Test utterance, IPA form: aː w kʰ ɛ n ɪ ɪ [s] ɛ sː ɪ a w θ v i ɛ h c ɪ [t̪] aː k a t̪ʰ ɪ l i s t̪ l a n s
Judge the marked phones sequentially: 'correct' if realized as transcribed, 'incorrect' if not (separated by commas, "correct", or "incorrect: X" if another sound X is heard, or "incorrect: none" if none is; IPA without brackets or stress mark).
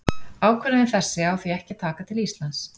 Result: incorrect: θ, incorrect: t̪ʰ